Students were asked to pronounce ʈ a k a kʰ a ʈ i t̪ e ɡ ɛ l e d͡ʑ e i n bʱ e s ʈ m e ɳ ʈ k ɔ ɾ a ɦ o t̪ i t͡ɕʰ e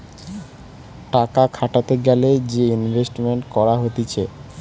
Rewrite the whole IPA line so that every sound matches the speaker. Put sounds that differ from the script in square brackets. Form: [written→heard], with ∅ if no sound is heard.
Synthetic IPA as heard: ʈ a k a kʰ a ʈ [i→a] t̪ e ɡ ɛ l e d͡ʑ e i n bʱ e s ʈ m e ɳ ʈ k ɔ ɾ a ɦ o t̪ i t͡ɕʰ e